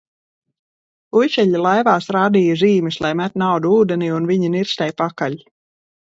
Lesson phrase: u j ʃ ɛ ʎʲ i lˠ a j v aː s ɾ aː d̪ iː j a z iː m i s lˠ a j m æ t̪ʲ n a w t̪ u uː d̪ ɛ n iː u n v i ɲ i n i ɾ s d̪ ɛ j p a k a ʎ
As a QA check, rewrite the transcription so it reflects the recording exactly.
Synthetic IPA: u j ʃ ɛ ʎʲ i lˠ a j v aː s ɾ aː d̪ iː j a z iː m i s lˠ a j m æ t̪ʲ n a w d̪ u uː d̪ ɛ n iː u n v i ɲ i n i ɾ s t̪ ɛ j p a k a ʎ